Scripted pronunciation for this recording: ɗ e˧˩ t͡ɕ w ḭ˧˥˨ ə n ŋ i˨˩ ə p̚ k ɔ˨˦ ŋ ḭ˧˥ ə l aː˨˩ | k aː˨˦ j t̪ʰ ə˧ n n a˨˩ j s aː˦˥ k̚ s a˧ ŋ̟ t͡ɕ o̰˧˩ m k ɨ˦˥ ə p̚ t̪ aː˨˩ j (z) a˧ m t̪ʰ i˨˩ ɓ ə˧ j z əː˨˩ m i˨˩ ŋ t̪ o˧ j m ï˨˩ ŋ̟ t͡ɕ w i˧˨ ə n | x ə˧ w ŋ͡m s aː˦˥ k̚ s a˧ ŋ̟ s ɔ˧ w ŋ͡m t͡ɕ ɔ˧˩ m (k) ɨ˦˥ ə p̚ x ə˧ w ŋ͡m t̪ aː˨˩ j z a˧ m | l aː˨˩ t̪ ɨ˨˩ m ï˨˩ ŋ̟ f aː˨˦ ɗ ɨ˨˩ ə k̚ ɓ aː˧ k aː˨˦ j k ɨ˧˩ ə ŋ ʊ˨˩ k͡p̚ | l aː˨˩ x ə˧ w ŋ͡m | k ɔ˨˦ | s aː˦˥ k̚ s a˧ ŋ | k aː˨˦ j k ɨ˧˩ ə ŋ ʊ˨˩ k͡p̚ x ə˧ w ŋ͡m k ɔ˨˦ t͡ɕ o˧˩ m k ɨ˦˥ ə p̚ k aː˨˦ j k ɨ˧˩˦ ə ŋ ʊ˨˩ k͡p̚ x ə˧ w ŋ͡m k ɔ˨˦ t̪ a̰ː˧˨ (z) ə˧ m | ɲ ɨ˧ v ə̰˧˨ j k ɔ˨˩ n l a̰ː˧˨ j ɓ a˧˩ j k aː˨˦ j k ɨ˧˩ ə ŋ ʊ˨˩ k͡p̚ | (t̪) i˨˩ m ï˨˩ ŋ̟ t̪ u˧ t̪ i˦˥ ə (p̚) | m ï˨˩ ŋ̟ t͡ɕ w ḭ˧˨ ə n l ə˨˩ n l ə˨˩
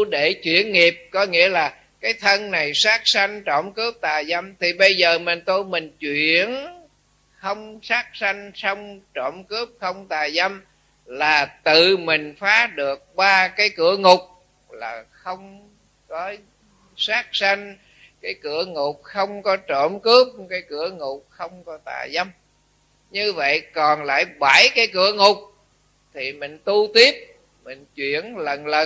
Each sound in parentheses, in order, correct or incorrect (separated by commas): correct, correct, correct, incorrect, correct